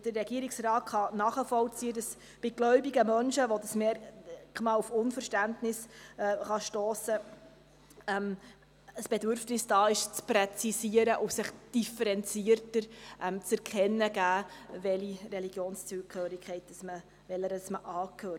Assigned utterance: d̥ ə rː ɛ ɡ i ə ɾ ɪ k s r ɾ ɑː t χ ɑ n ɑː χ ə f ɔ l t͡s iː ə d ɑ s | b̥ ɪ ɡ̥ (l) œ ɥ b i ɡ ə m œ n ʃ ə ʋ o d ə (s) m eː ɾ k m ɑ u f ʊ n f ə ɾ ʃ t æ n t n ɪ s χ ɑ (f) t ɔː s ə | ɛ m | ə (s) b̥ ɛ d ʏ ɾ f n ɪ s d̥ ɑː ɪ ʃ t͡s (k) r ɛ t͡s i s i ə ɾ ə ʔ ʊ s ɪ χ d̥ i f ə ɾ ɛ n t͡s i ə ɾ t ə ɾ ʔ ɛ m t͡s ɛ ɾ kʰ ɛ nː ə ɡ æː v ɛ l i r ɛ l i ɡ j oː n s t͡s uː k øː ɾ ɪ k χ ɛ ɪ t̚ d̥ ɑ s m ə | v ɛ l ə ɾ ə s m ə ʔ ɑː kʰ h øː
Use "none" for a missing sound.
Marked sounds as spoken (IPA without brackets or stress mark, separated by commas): l, s, ʃ, s, p